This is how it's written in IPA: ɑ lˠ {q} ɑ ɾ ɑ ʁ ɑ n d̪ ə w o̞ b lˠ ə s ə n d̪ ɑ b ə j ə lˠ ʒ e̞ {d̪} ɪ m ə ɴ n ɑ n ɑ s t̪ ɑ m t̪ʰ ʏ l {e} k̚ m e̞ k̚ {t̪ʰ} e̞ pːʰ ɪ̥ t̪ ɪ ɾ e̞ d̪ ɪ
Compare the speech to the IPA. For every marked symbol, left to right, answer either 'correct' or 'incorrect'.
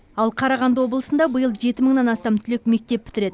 incorrect, incorrect, correct, incorrect

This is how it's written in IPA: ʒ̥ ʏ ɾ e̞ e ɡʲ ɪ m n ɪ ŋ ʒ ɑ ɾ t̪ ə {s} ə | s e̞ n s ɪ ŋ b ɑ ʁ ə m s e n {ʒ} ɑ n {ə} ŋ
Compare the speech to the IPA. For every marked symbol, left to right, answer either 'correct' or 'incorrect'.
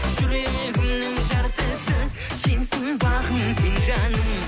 correct, correct, correct

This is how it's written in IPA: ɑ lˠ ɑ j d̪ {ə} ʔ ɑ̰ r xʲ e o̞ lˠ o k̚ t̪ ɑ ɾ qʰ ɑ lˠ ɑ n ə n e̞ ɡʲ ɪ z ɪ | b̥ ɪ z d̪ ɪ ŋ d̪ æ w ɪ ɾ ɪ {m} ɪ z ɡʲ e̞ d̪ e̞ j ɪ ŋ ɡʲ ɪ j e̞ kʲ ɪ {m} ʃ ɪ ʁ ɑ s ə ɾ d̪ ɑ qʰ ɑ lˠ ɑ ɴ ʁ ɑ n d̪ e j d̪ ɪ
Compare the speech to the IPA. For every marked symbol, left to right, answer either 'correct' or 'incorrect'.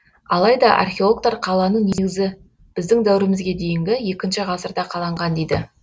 incorrect, correct, incorrect

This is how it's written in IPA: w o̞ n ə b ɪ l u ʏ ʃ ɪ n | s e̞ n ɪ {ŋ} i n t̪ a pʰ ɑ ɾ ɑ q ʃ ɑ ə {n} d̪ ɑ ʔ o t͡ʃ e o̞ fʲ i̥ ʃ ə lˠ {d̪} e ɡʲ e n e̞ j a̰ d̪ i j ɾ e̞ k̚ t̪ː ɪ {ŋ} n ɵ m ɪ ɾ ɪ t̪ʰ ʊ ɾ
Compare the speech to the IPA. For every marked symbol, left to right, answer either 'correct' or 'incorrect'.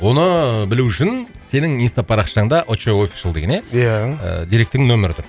correct, incorrect, correct, correct

